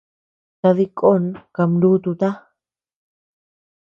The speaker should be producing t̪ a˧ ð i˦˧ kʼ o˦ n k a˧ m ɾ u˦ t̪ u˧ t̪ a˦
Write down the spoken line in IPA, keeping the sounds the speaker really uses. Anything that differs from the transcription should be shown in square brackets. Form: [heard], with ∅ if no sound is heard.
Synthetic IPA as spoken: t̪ a˧ ð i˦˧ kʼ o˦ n k a˧ m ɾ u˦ t̪ u˧ t̪ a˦